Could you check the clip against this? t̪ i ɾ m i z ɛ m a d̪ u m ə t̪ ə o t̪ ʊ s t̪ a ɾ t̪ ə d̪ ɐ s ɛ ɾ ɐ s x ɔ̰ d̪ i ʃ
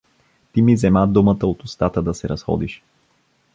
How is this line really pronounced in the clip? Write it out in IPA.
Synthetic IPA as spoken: t̪ i m i z ɛ m a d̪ u m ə t̪ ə o t̪ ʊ s t̪ a t̪ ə d̪ ɐ s ɛ ɾ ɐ s x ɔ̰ d̪ i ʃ